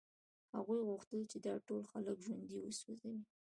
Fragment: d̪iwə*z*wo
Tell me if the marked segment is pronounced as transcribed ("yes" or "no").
no